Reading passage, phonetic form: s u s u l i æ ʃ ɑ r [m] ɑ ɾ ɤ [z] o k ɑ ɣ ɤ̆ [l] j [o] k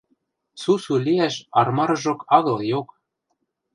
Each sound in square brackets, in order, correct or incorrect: correct, incorrect, correct, correct

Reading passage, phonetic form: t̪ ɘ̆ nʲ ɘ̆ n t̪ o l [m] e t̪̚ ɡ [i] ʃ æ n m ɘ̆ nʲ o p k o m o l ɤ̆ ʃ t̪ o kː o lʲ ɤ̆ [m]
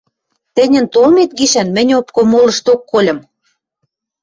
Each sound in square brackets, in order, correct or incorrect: correct, correct, correct

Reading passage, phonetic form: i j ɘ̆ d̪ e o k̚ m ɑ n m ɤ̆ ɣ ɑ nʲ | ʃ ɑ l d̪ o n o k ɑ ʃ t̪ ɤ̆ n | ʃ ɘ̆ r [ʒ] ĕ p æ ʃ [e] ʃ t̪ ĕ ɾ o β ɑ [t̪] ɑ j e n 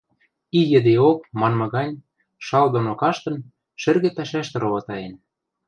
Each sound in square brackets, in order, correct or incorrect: incorrect, incorrect, correct

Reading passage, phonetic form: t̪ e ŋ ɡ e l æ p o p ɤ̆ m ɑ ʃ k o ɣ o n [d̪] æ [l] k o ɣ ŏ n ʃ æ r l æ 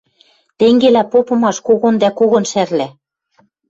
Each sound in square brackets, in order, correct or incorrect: correct, incorrect

